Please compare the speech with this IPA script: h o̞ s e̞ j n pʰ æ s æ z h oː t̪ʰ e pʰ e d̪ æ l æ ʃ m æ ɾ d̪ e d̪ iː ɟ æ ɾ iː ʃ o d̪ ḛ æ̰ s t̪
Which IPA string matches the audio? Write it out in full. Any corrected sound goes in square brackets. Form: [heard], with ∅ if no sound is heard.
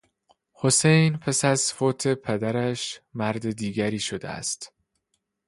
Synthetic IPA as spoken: h o̞ s e̞ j n pʰ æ s æ z [f] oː t̪ʰ e pʰ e d̪ æ [ɾ] æ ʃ m æ ɾ d̪ e d̪ iː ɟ æ ɾ iː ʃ o d̪ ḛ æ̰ s t̪